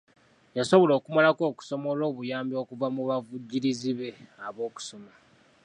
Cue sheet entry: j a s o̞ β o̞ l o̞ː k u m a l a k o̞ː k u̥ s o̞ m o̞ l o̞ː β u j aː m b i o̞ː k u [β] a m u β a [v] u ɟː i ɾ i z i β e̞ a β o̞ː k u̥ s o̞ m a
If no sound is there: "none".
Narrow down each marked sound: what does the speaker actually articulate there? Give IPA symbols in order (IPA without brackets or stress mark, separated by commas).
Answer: v, v